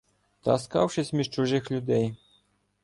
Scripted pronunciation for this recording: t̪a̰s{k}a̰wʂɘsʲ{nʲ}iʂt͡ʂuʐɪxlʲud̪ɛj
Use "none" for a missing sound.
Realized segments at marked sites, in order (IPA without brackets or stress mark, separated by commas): k, mʲ